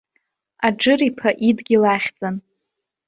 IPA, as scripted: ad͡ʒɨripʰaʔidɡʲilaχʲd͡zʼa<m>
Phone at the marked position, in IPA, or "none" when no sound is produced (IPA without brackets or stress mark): n